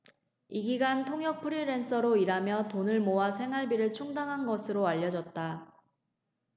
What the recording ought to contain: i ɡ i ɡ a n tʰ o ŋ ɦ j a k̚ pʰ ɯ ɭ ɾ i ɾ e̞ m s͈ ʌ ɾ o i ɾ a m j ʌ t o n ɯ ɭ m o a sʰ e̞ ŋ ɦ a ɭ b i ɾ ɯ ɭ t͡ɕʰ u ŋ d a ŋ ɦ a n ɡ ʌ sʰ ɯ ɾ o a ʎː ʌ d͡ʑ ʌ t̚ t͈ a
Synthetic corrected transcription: i ɡ i ɡ a n tʰ o ŋ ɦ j ʌ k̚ pʰ ɯ ɾ i ɾ e̞ n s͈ ʌ ɾ o i ɾ a m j ʌ t o n ɯ ɭ m o a sʰ e̞ ŋ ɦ a ɭ b i ɾ ɯ ɭ t͡ɕʰ u ŋ d a ŋ ɦ a n ɡ ʌ sʰ ɯ ɾ o a ʎː ʌ d͡ʑ ʌ t̚ t͈ a